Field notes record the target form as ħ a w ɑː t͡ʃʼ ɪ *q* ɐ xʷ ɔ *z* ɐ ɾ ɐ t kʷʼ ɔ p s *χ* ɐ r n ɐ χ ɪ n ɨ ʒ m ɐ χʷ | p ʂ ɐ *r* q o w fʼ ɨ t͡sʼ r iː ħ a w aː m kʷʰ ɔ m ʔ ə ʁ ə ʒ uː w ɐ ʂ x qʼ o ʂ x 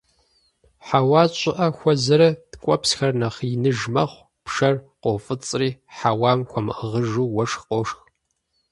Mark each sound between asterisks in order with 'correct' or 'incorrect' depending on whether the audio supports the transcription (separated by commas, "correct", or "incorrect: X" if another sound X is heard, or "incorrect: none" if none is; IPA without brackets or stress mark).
incorrect: ʔ, correct, incorrect: x, correct